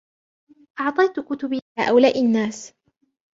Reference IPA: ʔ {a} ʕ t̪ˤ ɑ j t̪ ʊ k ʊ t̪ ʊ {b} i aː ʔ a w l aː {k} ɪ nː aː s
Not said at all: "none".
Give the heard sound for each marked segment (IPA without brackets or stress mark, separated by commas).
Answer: ɑ, b, ʔ